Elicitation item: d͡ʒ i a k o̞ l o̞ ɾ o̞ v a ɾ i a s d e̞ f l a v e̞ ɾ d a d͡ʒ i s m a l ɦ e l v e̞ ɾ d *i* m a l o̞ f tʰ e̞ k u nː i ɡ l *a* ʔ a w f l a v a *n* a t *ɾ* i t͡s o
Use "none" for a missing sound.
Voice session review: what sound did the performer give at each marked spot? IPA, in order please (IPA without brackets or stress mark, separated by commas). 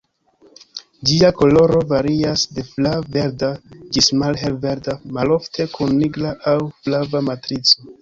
a, a, m, ɾ